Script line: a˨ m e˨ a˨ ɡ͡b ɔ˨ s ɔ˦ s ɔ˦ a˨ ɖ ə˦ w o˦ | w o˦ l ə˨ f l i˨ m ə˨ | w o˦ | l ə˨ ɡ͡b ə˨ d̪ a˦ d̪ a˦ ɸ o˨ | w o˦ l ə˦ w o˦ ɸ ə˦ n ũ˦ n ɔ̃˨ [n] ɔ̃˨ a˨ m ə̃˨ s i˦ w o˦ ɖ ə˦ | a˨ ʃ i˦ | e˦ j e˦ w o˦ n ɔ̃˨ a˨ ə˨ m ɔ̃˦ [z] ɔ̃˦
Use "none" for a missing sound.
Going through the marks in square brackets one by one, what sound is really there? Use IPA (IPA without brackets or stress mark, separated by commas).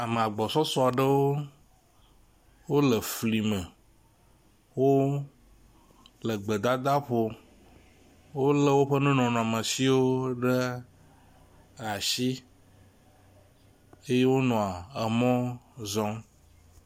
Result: n, z